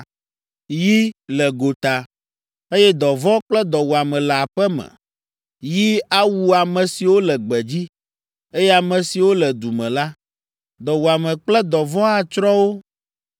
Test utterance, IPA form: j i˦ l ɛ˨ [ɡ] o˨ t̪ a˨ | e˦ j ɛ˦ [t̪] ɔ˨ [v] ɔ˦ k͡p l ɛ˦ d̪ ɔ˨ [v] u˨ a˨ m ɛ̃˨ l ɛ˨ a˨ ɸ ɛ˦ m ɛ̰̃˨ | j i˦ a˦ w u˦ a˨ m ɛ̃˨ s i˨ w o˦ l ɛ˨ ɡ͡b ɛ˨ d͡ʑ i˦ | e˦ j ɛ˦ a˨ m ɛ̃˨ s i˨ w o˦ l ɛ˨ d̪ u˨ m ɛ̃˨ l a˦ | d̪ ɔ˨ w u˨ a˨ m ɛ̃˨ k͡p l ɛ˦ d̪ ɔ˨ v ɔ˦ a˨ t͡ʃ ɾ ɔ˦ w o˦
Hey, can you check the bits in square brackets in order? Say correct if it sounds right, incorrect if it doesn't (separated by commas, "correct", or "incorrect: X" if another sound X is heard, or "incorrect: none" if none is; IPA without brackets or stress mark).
correct, incorrect: d̪, correct, incorrect: w